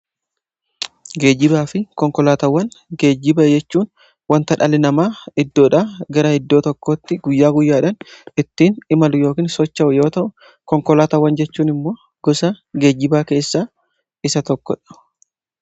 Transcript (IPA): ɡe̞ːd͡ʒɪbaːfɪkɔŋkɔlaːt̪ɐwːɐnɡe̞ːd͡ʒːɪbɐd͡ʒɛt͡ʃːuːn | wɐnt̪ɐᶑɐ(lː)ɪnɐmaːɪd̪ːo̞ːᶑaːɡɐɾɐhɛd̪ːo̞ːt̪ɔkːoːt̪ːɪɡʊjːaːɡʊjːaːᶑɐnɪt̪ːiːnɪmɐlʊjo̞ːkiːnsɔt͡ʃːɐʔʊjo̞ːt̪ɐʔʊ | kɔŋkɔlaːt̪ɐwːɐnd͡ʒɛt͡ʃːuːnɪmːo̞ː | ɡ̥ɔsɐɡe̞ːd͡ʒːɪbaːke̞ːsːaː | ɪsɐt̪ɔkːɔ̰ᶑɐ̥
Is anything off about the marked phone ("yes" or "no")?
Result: yes